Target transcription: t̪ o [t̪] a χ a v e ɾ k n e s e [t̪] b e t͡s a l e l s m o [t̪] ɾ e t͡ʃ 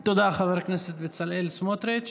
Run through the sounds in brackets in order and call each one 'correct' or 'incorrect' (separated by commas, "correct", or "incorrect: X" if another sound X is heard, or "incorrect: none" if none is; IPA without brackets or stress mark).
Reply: incorrect: d̪, correct, correct